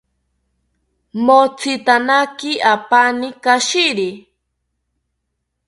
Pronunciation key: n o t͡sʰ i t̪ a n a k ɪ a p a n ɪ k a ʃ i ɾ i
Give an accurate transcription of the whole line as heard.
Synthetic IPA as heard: m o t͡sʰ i t̪ a n a k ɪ a p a n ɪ k a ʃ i ɾ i